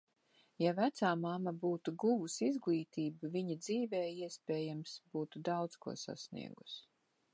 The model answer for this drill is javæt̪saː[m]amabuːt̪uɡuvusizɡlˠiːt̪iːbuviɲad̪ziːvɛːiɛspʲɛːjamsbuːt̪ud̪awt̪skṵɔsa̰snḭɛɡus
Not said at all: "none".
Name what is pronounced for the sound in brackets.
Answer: m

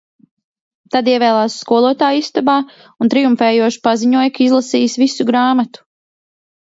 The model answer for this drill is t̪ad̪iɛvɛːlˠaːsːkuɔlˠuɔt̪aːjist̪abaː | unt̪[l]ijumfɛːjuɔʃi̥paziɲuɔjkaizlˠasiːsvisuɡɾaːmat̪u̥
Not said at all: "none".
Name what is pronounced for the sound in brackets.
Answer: ɾ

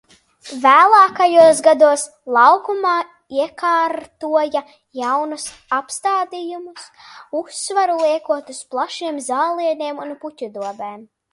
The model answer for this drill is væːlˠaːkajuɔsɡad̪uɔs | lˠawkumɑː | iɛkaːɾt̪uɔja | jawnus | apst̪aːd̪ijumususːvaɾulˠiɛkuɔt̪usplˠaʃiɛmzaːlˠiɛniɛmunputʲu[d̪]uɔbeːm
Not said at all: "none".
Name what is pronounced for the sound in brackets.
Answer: d̪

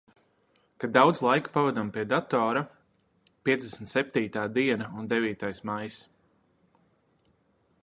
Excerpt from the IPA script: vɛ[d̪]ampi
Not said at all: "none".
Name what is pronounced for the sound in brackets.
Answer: d̪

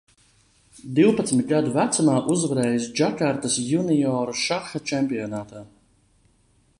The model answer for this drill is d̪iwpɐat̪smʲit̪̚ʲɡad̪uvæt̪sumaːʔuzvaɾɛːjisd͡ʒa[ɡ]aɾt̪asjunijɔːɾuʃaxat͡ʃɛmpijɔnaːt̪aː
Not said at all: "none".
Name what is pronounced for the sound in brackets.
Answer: k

